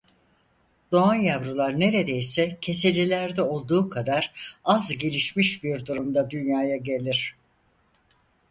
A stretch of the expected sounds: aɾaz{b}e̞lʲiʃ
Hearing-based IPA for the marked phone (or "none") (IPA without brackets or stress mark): ɟ